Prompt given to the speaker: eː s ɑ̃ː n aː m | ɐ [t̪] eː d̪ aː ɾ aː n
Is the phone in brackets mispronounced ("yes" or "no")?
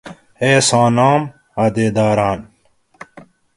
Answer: yes